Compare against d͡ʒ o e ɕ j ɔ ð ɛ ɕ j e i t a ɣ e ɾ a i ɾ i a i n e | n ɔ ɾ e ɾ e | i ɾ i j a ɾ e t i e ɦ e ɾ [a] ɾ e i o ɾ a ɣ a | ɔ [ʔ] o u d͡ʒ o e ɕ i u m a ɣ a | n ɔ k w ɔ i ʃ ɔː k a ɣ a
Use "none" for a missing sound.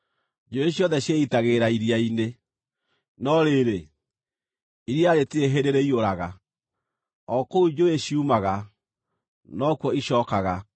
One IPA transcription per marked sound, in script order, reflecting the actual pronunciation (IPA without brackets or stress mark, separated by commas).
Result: e, k